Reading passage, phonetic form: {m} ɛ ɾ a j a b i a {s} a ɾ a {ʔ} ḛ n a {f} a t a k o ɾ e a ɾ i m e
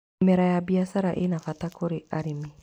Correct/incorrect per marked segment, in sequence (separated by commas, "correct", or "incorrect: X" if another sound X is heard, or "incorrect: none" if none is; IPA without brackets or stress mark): correct, correct, correct, correct